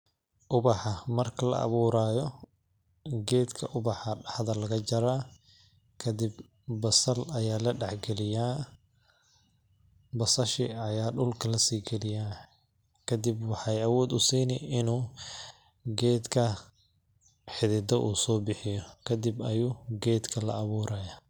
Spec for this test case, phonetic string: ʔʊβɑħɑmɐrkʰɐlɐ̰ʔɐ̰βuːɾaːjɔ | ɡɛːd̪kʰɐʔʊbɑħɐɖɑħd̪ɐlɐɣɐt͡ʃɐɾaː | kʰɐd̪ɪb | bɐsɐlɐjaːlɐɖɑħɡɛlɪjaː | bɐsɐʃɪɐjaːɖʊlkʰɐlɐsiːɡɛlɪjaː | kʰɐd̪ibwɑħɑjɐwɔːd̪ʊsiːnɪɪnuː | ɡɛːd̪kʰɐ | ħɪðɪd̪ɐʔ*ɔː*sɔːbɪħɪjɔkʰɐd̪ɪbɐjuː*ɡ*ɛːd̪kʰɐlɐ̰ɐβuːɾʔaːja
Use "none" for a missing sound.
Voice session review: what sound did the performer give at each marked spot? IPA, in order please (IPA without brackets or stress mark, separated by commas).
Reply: uː, ɡ